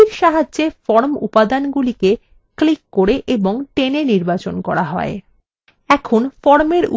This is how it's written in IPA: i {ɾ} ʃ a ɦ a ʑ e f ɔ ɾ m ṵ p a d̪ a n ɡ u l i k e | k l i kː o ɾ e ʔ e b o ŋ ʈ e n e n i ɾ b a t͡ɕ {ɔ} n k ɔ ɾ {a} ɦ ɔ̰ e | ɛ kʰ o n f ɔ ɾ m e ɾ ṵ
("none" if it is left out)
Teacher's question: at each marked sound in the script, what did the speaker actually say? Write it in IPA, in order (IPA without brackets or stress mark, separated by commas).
ɾ, o, a